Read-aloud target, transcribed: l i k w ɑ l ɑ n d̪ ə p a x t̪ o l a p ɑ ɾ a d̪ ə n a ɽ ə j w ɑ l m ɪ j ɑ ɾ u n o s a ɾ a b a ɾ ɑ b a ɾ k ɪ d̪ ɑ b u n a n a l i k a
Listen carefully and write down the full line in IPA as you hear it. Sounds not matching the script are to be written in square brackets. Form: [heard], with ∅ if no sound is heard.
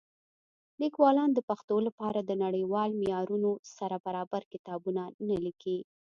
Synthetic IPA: l i k w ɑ l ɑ n d̪ ə p a x t̪ o l a p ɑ ɾ a d̪ ə n a ɽ ə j w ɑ l m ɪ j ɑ ɾ u n o s a ɾ a b a ɾ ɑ b a ɾ k ɪ [t̪] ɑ b u n a n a l i k [i]